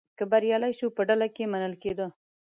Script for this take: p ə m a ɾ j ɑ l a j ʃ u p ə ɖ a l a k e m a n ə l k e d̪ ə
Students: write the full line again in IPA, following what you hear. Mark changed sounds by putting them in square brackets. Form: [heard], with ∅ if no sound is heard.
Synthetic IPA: [k] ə [b] a ɾ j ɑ l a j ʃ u p ə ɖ a l a k e m a n ə l k e d̪ ə

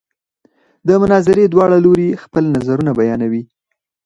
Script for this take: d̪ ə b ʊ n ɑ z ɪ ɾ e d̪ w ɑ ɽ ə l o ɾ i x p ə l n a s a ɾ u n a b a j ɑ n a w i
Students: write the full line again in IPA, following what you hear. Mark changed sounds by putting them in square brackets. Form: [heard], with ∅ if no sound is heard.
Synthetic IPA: d̪ ə [m] ʊ n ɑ z ɪ ɾ e d̪ w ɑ ɽ [a] l o ɾ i x p ə l n a [z] a ɾ u n a b a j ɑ n a w i

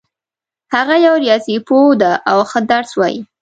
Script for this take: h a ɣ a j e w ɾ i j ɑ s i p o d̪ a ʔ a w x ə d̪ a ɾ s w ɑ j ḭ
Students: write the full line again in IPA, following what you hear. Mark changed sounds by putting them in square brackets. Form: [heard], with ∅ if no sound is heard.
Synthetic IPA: h a ɣ a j [a] w ɾ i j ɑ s i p o d̪ a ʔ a w x ə d̪ a ɾ s w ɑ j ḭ

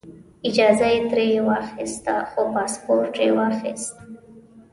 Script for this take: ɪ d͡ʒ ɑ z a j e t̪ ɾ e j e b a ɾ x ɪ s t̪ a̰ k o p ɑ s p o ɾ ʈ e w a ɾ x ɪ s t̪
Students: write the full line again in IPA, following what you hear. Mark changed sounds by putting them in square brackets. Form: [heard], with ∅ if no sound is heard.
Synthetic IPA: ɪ d͡ʒ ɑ z a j e t̪ ɾ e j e [w] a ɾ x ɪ s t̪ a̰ [x] o p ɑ s p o ɾ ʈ e w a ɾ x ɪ s t̪

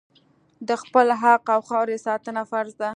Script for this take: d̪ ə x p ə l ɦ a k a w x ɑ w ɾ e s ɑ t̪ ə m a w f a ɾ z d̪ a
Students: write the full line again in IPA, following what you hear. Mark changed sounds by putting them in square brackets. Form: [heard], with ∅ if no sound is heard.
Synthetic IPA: d̪ ə x p ə l ɦ a [q] a w x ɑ w ɾ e s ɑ t̪ ə [n] a [∅] f a ɾ z d̪ a

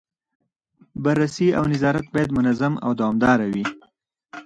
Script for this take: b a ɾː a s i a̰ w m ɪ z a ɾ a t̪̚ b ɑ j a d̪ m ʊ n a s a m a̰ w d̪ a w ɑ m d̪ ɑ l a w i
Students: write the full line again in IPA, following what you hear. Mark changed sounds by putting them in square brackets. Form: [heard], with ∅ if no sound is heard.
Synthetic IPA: b a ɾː a s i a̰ w [n] ɪ z [ɑ] ɾ a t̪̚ b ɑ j a d̪ m ʊ n a [z] a m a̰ w d̪ a w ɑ m d̪ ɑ [ɾ] a w i

